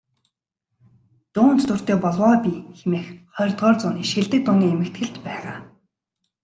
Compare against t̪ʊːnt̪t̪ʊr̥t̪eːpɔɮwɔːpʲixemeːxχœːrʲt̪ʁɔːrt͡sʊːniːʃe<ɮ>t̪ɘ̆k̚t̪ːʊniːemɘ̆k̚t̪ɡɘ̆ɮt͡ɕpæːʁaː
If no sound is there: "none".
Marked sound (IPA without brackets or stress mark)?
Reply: ɮ